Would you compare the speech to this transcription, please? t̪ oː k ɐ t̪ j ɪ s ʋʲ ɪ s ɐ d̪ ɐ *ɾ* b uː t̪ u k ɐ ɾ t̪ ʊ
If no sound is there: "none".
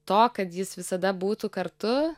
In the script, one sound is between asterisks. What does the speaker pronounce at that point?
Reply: none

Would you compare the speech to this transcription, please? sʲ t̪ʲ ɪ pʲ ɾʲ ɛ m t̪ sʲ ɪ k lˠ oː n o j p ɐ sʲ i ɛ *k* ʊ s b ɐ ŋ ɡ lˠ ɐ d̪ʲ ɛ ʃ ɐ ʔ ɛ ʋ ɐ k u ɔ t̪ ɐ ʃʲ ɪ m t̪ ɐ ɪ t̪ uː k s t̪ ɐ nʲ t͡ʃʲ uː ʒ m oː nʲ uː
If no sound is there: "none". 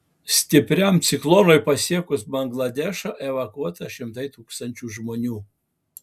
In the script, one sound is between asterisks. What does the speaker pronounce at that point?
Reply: k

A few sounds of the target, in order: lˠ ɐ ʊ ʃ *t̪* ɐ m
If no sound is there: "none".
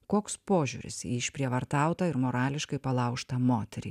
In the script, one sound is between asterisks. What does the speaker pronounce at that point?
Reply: t̪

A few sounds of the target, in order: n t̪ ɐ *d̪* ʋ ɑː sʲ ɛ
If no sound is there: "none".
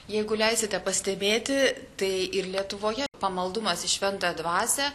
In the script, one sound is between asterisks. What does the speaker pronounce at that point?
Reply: d̪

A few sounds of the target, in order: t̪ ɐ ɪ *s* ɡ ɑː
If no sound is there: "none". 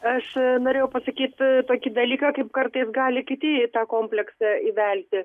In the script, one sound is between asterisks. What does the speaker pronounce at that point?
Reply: s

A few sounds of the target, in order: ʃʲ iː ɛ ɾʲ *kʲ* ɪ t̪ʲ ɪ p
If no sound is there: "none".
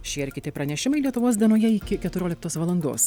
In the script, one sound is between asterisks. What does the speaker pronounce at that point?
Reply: kʲ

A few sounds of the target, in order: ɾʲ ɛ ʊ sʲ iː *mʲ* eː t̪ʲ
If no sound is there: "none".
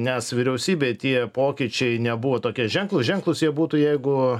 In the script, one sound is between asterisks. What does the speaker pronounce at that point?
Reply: bʲ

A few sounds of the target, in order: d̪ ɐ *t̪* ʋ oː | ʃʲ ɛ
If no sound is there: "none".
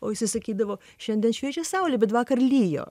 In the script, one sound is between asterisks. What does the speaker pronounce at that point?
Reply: none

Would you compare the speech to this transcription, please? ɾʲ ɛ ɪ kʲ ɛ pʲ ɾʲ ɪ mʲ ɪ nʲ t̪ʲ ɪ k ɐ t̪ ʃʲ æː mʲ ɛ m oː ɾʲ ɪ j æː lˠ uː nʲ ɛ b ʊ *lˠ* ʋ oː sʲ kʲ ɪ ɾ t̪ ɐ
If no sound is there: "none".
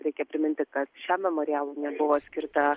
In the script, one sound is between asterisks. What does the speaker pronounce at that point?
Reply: none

